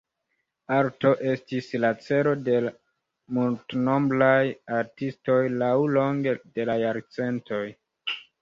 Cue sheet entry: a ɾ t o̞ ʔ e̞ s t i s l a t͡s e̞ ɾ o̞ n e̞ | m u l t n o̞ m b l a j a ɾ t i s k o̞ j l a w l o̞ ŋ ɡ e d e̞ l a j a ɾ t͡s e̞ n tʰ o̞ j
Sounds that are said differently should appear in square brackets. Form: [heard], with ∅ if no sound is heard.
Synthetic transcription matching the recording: a ɾ t o̞ ʔ e̞ s t i s l a t͡s e̞ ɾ o̞ [d] e̞ | m u l t n o̞ m b l a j a ɾ t i s [t] o̞ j l a w l o̞ ŋ ɡ e d e̞ l a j a ɾ t͡s e̞ n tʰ o̞ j